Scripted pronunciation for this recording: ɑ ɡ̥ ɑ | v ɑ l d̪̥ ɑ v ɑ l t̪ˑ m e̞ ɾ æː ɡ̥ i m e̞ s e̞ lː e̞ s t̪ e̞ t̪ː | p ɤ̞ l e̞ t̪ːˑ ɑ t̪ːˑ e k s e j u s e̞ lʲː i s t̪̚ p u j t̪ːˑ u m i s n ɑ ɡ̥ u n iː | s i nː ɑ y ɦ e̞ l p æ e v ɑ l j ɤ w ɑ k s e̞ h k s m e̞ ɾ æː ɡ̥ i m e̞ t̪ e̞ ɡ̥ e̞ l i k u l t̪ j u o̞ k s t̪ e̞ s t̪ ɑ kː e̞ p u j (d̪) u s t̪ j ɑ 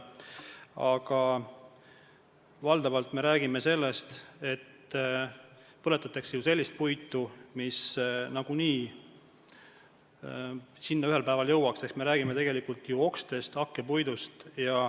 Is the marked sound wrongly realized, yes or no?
no